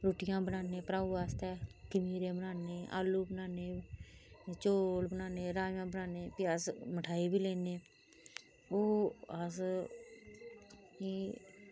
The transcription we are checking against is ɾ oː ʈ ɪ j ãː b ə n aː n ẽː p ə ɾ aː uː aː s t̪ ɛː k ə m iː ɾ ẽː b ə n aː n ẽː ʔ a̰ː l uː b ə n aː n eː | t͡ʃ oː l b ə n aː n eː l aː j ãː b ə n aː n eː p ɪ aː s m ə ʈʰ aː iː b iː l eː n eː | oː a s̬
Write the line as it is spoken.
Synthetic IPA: ɾ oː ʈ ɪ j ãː b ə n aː n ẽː p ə ɾ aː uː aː s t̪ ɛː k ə m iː ɾ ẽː b ə n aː n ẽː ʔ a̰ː l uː b ə n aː n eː | t͡ʃ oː l b ə n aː n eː ɾ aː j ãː b ə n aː n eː p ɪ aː s m ə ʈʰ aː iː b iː l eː n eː | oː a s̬